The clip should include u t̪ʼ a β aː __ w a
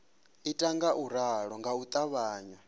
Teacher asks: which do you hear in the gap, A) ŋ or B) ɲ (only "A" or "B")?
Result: B